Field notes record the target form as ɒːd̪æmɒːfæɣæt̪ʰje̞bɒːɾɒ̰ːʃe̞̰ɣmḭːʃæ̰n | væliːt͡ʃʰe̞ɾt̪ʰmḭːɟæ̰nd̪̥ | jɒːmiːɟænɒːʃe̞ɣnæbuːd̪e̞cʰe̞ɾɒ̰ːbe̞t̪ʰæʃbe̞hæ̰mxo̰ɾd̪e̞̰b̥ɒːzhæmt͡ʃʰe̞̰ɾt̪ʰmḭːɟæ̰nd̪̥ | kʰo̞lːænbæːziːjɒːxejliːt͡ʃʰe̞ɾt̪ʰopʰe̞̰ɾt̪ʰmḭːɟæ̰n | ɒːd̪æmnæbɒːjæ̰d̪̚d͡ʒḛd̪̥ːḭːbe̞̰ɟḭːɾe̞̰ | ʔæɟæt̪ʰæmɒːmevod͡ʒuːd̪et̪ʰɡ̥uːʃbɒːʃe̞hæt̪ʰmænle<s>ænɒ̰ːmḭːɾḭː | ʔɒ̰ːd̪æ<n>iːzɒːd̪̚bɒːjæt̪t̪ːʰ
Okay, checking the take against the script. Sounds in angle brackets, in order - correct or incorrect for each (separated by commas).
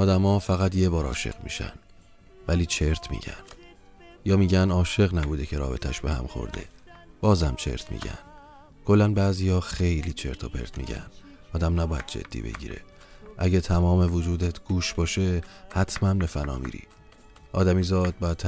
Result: incorrect, incorrect